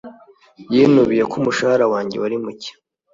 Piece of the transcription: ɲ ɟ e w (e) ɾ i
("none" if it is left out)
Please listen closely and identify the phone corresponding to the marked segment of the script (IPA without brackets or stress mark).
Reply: a